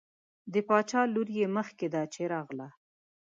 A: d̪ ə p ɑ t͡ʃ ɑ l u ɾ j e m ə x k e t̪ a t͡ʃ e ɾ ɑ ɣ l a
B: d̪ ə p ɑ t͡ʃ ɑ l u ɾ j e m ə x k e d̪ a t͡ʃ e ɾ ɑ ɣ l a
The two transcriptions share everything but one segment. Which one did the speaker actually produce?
B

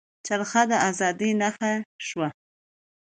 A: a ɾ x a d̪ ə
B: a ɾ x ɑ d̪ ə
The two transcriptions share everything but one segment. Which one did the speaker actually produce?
A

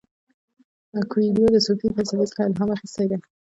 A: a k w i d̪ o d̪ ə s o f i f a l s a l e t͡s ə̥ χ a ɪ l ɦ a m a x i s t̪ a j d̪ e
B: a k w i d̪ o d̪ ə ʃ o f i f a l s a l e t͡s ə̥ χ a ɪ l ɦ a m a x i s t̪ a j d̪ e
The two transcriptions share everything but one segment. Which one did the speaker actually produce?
A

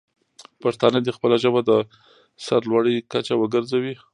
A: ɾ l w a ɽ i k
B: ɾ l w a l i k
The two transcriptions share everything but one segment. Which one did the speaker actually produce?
A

